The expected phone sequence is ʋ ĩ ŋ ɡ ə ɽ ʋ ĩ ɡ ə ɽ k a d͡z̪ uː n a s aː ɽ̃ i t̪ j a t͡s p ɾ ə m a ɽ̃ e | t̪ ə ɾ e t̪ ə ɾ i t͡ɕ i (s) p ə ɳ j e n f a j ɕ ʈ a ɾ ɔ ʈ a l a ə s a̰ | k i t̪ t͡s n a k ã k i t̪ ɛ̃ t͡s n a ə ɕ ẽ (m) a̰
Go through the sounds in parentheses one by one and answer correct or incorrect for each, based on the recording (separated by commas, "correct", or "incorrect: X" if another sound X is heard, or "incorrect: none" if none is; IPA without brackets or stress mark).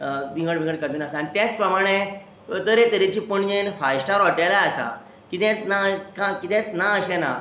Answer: incorrect: none, incorrect: n